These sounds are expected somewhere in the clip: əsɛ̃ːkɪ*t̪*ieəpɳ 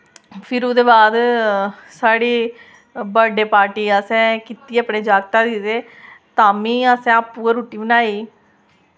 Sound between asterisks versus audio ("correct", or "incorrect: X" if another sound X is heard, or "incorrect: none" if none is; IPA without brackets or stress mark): correct